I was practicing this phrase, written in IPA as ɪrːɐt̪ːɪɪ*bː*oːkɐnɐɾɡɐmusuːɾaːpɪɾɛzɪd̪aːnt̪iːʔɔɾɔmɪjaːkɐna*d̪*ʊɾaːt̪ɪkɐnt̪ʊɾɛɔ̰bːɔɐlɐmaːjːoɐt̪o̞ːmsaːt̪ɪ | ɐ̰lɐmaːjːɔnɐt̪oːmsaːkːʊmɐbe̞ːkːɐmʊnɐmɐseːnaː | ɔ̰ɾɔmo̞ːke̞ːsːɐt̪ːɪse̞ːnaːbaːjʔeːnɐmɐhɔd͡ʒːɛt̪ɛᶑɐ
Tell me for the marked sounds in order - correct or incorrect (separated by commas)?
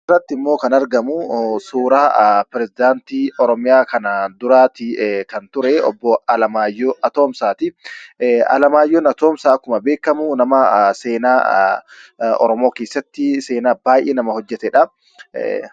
incorrect, correct